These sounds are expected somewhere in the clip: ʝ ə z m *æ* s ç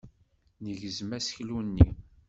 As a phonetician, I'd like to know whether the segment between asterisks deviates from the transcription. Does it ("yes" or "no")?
no